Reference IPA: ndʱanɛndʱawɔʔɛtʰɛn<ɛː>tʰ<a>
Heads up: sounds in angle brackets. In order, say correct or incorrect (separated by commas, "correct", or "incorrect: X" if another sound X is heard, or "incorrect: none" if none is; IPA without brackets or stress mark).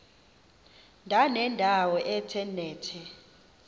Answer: correct, incorrect: ɛ